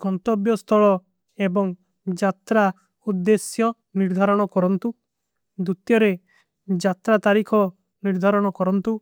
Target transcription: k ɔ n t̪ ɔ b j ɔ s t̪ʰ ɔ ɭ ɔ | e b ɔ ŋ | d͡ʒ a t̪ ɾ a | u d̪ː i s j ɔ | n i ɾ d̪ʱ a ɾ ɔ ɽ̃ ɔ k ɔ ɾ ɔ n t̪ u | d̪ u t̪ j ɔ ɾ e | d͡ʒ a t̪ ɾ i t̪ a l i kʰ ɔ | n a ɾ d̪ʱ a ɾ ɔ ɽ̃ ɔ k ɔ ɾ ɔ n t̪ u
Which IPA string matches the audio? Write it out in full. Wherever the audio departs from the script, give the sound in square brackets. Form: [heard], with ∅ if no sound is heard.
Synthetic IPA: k ɔ n t̪ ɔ b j ɔ s t̪ʰ ɔ ɭ ɔ | e b ɔ ŋ | d͡ʒ a t̪ ɾ a | u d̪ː [e] s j ɔ | n i ɾ d̪ʱ a ɾ ɔ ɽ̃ ɔ k ɔ ɾ ɔ n t̪ u | d̪ u t̪ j ɔ ɾ e | d͡ʒ a t̪ ɾ [a] t̪ a [ɾ] i kʰ ɔ | n [i] ɾ d̪ʱ a ɾ ɔ ɽ̃ ɔ k ɔ ɾ ɔ n t̪ u